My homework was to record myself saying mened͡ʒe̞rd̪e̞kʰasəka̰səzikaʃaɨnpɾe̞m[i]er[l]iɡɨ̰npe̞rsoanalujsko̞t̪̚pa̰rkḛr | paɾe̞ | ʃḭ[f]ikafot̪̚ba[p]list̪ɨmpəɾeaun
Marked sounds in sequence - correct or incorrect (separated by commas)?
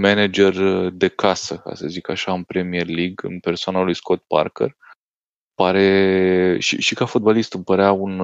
correct, correct, incorrect, incorrect